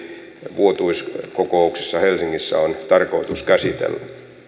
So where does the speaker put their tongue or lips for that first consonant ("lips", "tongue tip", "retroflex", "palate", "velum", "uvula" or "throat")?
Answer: lips